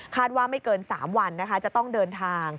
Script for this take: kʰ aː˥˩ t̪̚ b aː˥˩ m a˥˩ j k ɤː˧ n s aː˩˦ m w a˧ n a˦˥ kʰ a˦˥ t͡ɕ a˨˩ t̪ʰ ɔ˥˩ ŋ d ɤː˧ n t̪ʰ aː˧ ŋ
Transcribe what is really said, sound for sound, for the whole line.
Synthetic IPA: kʰ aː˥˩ t̪̚ w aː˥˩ m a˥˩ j k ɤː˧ n s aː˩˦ m w a˧ nː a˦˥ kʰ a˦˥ t͡ɕ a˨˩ t̪ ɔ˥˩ ŋ d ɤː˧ n t̪ʰ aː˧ ŋ